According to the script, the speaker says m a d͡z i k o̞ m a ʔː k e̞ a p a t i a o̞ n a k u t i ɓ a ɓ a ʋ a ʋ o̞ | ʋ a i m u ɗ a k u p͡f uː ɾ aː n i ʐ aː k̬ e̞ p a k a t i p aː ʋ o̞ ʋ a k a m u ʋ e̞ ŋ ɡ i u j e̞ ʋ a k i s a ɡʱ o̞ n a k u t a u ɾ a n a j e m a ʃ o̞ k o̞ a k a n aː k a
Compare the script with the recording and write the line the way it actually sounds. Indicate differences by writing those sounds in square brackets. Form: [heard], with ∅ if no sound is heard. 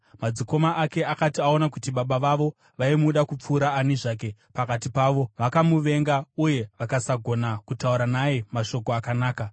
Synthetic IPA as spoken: m a d͡z i k o̞ m a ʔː k e̞ a [k] a t i a o̞ n a k u t i ɓ a ɓ a ʋ a ʋ o̞ | ʋ a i m u ɗ a k u p͡f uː ɾ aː n i ʐ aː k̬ e̞ p a k a t i p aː ʋ o̞ ʋ a k a m u ʋ e̞ ŋ ɡ [a] u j e̞ ʋ a k [a] s a ɡʱ o̞ n a k u t a u ɾ a n a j e m a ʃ o̞ k o̞ a k a n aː k a